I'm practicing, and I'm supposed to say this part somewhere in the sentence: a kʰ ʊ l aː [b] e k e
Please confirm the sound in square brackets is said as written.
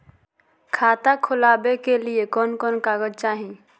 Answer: yes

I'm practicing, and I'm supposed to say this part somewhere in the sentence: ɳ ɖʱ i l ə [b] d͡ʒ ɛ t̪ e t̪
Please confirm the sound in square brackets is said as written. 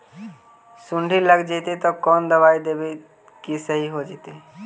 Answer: no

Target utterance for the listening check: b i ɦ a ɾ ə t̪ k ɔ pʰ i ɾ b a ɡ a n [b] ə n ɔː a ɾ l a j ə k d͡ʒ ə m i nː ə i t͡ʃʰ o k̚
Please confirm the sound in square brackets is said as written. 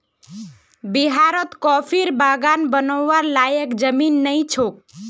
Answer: yes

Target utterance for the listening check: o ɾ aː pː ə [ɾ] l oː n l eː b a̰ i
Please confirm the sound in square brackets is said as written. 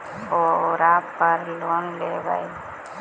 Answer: yes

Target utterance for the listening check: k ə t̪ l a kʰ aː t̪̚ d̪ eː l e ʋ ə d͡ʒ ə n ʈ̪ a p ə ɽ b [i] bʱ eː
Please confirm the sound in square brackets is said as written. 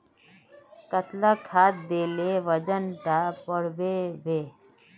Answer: no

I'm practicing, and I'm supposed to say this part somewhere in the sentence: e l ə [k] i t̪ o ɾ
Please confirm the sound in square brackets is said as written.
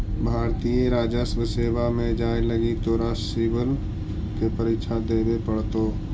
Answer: no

